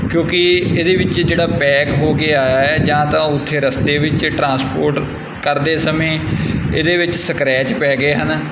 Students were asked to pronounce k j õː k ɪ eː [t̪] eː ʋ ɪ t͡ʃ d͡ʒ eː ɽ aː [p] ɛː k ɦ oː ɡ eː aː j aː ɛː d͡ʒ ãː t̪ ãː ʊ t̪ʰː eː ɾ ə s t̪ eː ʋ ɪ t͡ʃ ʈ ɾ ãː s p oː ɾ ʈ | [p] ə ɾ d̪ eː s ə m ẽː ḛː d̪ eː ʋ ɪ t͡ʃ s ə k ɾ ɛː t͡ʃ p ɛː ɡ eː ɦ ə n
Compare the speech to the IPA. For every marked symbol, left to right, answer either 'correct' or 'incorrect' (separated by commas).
incorrect, correct, incorrect